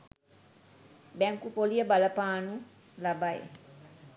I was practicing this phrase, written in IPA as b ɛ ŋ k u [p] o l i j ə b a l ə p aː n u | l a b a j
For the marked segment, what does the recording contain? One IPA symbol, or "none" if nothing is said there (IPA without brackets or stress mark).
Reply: p